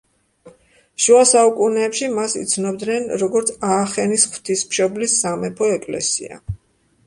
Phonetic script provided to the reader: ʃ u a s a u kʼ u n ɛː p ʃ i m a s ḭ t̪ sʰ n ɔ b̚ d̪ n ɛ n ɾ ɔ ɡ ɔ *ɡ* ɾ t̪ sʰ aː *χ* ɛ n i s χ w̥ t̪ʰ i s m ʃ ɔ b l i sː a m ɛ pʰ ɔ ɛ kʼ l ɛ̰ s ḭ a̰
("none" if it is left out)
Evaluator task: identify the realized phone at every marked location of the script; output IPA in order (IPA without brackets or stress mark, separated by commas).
none, χ